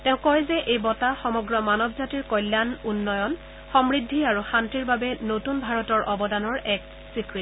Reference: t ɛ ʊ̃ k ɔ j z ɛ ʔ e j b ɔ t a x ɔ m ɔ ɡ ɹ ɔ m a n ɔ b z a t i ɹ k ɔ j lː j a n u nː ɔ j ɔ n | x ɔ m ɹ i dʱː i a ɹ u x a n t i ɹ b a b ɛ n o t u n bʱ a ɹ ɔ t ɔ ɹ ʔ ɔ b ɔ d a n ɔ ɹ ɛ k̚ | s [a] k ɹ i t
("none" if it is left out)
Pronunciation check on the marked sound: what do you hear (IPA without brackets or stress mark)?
i